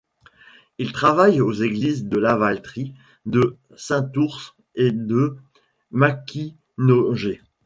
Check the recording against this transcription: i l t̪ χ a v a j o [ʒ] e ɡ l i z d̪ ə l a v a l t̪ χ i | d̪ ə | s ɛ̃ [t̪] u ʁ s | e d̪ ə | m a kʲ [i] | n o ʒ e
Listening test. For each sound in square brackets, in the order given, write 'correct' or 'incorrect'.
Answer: incorrect: z, correct, correct

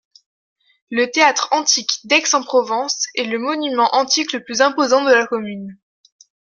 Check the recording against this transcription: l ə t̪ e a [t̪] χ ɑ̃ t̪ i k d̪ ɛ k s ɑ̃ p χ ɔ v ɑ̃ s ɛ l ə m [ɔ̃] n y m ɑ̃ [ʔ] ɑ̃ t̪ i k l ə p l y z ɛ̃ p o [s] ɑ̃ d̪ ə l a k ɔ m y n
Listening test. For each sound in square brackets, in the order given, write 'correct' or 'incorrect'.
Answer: correct, incorrect: ɔ, correct, incorrect: z

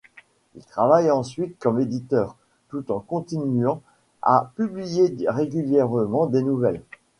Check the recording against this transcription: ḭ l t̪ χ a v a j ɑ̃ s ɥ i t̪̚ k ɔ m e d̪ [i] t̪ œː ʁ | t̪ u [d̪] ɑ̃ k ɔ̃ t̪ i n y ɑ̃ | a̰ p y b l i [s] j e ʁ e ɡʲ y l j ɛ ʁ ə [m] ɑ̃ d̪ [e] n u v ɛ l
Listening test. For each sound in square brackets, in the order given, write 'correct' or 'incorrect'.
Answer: correct, incorrect: t̪, incorrect: none, correct, correct

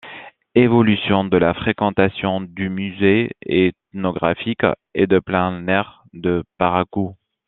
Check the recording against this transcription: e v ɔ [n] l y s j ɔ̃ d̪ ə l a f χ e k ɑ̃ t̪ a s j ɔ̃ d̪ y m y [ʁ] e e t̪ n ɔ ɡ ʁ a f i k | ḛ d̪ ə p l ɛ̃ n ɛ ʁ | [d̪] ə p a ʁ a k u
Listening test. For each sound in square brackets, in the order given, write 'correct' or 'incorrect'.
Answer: incorrect: none, incorrect: z, correct

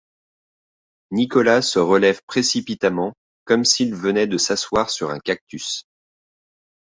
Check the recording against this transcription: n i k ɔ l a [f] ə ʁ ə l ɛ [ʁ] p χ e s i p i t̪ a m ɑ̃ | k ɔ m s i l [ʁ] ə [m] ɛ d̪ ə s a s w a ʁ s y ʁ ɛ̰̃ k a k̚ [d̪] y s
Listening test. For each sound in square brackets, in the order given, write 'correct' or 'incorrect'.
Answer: incorrect: s, incorrect: v, incorrect: v, incorrect: n, incorrect: t̪

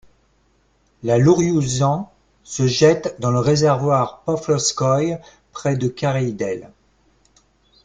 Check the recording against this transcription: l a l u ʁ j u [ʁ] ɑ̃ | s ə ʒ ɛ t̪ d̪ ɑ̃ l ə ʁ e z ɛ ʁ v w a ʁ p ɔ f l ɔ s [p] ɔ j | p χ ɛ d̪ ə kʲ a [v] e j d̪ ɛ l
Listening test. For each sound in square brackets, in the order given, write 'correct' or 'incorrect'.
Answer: incorrect: z, incorrect: k, incorrect: ʁ

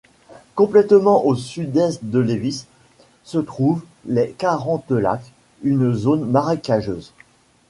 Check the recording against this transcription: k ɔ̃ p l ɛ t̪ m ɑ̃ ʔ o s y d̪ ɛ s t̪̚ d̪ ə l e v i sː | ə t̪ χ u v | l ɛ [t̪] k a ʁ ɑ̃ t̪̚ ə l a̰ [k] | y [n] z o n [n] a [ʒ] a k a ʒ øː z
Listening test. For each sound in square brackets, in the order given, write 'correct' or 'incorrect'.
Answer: incorrect: none, correct, correct, incorrect: m, incorrect: ʁ

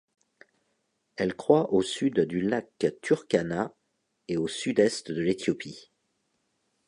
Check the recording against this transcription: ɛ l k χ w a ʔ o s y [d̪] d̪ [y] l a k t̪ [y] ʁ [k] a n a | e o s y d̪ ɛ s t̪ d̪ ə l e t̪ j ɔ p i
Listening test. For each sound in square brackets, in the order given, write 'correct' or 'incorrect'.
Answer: correct, correct, correct, correct

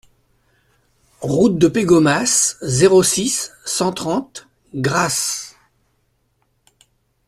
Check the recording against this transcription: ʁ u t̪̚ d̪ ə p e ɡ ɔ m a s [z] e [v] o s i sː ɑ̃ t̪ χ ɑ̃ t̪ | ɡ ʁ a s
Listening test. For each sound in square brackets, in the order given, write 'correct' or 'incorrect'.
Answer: correct, incorrect: ʁ

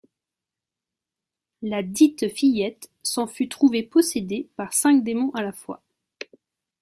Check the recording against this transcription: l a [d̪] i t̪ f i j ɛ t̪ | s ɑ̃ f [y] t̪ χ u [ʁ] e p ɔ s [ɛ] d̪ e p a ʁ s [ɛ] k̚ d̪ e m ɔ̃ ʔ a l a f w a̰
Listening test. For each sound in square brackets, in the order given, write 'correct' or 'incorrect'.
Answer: correct, correct, incorrect: v, incorrect: e, incorrect: ɛ̃

